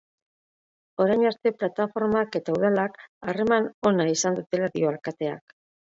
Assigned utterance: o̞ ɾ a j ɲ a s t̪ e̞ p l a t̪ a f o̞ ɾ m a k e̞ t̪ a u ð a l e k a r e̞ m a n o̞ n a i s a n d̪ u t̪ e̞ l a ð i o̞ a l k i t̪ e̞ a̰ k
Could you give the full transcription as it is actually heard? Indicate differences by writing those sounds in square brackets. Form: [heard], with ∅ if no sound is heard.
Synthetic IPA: o̞ ɾ a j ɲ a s t̪ e̞ p l a t̪ a f o̞ ɾ m a k e̞ t̪ a u ð a l [a] k a r e̞ m a n o̞ n a i s a n d̪ u t̪ e̞ l a ð i o̞ a l k [a] t̪ e̞ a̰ k